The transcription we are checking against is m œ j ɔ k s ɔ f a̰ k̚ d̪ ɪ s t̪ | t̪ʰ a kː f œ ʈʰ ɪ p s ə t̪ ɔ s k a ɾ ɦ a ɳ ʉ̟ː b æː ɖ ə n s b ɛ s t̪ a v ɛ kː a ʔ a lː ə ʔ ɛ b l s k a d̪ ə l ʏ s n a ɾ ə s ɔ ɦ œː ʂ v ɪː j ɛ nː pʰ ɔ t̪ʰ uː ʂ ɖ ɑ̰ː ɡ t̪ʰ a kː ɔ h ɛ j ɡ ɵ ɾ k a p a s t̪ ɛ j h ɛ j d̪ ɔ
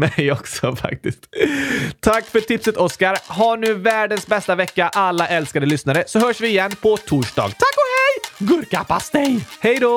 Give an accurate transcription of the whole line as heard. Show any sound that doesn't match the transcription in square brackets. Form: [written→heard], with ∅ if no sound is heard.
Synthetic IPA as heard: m [œ→ɛ] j ɔ k s ɔ f a̰ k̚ [d̪→t̪] ɪ s t̪ | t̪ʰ a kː f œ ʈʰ ɪ p s ə t̪ ɔ s k a ɾ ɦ a ɳ ʉ̟ː [b→v] æː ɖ ə n s b ɛ s t̪ a v ɛ kː a ʔ a lː [ə→a] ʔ ɛ [b→∅] l s k a d̪ ə l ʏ s n a ɾ ə s ɔ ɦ œː ʂ v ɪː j ɛ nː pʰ ɔ t̪ʰ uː ʂ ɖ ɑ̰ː ɡ t̪ʰ a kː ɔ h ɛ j ɡ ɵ ɾ k a p a s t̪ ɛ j h ɛ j d̪ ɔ